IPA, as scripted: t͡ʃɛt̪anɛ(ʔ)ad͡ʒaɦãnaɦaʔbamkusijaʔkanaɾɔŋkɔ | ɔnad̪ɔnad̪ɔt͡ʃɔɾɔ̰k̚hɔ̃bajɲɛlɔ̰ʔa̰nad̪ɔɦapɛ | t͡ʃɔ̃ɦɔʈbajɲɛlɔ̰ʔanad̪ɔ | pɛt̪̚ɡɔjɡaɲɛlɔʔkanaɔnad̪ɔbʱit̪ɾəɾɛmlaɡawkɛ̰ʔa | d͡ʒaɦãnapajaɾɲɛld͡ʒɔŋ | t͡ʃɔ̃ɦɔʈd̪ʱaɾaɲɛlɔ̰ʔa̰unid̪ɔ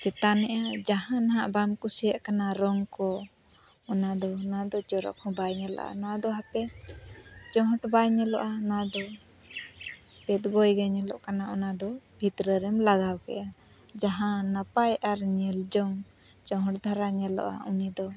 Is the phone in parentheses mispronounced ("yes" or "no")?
no